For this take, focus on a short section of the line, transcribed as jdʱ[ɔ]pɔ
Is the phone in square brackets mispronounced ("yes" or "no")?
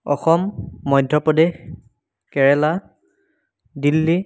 no